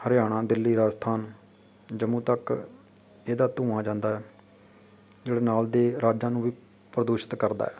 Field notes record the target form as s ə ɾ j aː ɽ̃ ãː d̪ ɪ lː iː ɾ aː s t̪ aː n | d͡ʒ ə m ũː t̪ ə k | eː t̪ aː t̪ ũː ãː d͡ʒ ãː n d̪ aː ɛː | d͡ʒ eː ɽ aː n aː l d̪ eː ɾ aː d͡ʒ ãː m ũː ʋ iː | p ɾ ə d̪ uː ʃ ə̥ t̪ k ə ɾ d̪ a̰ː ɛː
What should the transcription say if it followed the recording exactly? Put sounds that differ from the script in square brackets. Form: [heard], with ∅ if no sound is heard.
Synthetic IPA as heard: [h] ə ɾ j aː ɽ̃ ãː d̪ ɪ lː iː ɾ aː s [t̪ʰ] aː n | d͡ʒ ə m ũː t̪ ə k | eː [d̪] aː t̪ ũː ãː d͡ʒ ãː n d̪ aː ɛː | d͡ʒ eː ɽ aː n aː l d̪ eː ɾ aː d͡ʒ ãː [n] ũː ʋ iː | p ɾ ə d̪ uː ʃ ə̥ t̪ k ə ɾ d̪ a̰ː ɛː